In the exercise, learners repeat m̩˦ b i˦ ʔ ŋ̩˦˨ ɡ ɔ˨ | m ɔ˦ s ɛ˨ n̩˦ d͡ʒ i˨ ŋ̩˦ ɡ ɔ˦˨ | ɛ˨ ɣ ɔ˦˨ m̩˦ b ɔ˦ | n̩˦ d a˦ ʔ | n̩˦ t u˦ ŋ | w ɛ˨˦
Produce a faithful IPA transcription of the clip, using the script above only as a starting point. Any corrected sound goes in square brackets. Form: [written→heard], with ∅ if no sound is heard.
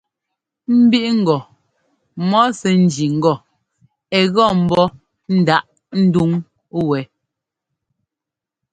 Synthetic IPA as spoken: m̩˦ b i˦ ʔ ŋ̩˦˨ ɡ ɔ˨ | m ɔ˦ s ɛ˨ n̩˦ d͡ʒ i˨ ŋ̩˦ ɡ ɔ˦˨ | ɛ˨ ɣ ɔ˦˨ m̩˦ b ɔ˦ | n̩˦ d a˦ ʔ | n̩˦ [t→d] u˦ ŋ | w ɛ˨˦

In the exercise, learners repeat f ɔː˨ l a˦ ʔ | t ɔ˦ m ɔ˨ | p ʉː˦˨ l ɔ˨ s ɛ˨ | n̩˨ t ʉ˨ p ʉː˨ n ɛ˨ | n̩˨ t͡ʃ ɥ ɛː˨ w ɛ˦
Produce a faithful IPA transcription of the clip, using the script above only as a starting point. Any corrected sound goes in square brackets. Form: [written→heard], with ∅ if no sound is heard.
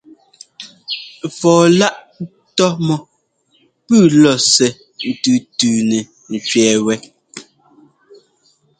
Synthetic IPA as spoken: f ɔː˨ l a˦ ʔ | t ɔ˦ m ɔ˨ | p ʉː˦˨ l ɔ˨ s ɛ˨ | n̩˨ t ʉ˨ [p→t] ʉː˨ n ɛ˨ | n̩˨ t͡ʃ ɥ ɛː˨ w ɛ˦

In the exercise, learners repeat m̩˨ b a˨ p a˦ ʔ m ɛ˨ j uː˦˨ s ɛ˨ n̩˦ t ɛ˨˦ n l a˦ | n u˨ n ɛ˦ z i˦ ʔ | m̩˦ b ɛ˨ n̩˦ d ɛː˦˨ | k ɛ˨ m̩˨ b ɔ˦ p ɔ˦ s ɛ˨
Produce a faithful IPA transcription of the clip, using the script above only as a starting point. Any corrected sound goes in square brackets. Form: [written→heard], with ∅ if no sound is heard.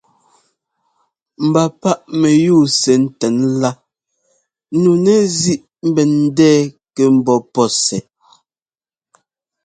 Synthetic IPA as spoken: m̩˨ b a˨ p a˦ ʔ m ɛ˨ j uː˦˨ s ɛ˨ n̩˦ t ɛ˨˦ n l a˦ | n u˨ n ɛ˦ z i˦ ʔ | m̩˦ b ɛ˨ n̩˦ d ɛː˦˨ | k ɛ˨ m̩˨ b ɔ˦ p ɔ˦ s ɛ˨

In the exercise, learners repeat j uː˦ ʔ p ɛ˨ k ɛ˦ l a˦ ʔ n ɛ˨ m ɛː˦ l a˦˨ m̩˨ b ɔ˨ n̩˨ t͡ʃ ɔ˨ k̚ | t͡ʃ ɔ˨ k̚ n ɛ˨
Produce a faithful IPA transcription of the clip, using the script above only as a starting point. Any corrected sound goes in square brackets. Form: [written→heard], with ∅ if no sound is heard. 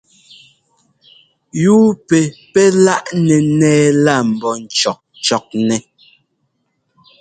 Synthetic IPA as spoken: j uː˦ [ʔ→∅] p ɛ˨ [k→p] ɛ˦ l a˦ ʔ n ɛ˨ [m→n] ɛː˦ l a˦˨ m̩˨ b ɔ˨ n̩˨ t͡ʃ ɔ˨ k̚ | t͡ʃ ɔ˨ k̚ n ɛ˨

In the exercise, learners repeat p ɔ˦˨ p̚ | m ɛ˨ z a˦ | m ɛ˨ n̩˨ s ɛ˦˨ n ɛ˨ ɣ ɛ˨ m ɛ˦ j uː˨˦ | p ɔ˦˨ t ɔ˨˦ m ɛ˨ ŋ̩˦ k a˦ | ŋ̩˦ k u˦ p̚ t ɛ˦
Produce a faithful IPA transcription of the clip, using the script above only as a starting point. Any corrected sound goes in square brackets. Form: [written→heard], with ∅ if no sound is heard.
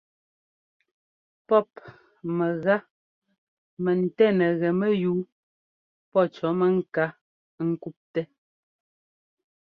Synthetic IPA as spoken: p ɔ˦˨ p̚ | m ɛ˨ [z→ɣ] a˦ | m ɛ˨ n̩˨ [s→t] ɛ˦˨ n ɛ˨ ɣ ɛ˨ m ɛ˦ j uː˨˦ | p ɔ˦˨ [t→t͡ʃ] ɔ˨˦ m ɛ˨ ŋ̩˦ k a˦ | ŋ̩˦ k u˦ p̚ t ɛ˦

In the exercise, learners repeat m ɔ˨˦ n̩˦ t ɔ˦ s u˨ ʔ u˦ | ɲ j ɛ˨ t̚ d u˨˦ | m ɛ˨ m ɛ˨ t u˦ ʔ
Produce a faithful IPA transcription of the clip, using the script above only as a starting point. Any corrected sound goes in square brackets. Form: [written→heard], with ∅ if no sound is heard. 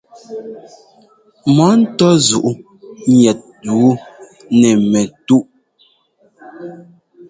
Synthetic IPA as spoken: m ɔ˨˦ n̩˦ t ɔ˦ [s→z] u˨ ʔ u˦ | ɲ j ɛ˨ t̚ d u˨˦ | [m→n] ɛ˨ m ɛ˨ t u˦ ʔ

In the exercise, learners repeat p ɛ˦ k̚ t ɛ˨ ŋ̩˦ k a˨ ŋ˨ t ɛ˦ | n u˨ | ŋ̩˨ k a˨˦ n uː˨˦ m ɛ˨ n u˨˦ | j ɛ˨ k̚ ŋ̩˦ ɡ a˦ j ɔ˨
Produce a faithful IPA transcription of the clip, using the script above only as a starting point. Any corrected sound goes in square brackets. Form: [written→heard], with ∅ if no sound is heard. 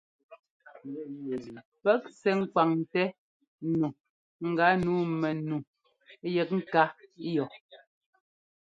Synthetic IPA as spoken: p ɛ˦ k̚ [t→s] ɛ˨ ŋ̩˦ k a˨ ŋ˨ t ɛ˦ | n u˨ | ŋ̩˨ [k→ɡ] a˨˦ n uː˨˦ m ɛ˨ n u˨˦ | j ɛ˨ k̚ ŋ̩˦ [ɡ→k] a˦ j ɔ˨

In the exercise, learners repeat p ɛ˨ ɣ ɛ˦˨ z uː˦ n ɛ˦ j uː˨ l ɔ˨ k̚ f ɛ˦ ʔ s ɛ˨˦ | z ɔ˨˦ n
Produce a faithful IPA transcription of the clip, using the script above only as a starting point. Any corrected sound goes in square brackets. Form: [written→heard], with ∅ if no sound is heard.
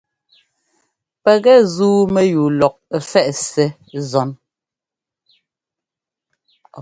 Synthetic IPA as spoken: p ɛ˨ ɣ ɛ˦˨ z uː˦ [n→m] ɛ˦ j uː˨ l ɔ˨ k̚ f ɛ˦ ʔ s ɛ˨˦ | z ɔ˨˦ n

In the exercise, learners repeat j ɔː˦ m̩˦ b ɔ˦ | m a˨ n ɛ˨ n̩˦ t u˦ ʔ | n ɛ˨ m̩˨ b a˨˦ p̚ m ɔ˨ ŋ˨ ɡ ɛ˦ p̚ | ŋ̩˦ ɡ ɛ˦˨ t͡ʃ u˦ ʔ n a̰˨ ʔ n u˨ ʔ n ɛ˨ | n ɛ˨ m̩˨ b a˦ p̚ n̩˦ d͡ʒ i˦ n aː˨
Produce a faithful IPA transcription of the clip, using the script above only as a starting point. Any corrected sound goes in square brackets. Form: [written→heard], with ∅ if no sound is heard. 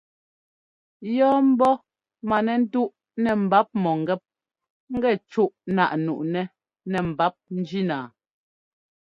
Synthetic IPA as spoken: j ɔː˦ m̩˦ b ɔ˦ | m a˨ n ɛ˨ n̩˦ t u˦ ʔ | n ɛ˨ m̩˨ b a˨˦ p̚ m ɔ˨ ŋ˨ ɡ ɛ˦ p̚ | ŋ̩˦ ɡ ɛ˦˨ t͡ʃ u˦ ʔ n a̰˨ ʔ n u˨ ʔ n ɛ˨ | n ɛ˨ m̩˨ b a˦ p̚ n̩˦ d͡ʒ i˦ n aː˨

